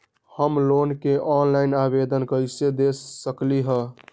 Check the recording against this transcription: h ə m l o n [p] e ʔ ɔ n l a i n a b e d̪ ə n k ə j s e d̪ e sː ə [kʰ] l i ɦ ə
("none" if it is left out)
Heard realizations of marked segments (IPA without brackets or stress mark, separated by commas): k, k